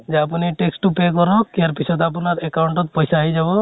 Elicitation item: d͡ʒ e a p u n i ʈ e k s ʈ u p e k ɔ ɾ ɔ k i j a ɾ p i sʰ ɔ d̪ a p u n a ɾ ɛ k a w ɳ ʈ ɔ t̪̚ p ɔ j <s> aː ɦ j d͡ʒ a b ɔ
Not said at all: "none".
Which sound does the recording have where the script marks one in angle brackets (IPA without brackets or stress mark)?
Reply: s